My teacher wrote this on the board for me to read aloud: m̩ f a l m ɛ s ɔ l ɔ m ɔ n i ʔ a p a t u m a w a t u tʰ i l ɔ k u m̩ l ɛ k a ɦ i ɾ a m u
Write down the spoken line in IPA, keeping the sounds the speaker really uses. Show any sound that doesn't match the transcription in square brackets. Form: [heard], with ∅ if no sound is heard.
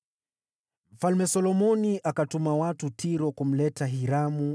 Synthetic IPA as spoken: m̩ f a l m ɛ s ɔ l ɔ m ɔ n i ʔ a [k] a t u m a w a t u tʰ i [ɾ] ɔ k u m̩ l ɛ [t] a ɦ i ɾ a m u